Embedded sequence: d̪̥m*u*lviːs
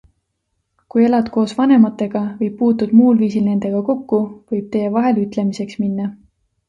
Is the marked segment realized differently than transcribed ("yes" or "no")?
yes